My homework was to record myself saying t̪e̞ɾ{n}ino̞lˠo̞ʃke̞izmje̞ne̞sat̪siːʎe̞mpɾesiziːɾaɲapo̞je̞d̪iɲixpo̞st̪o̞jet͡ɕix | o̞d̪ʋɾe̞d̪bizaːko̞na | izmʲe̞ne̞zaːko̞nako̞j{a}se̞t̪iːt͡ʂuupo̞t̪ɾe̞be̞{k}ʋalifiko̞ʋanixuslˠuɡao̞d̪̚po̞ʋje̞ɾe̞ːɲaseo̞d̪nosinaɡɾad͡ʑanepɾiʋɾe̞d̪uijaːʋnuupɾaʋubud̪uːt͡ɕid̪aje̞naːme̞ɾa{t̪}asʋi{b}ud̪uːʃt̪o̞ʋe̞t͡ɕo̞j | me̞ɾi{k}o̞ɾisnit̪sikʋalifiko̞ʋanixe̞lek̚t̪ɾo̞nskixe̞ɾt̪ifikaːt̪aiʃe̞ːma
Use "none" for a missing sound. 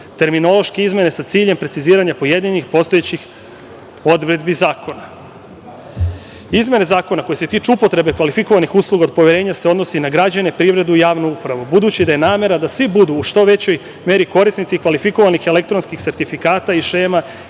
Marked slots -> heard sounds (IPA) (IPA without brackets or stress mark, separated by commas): m, e, k, d̪, b, k